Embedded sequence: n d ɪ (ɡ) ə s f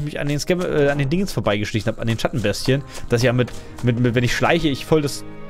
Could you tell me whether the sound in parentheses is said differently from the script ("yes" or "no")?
yes